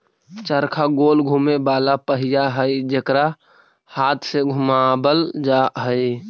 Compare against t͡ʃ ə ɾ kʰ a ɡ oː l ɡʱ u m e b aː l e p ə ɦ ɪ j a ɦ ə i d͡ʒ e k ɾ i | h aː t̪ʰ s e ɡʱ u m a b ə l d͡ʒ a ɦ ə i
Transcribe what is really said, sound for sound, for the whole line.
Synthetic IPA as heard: t͡ʃ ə ɾ kʰ a ɡ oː l ɡʱ u m e b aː l a p ə ɦ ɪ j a ɦ ə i d͡ʒ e k ɾ a | h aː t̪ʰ s e ɡʱ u m a b ə l d͡ʒ a ɦ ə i